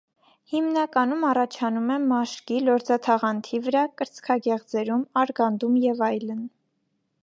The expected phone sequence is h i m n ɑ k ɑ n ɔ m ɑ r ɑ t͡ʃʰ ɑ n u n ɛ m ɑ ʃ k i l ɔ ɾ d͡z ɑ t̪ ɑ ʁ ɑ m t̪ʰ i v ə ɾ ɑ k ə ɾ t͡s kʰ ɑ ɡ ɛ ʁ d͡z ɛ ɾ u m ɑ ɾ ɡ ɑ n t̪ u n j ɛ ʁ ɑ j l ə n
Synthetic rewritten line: h i m n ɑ k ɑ n u m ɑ r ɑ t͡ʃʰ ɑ n u m ɛ m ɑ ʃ k i l ɔ ɾ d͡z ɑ t̪ʰ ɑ ʁ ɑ n t̪ʰ i v ə ɾ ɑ k ə ɾ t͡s kʰ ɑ ɡ ɛ ʁ d͡z ɛ ɾ u m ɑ ɾ ɡ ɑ n d̪ u m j ɛ v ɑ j l ə n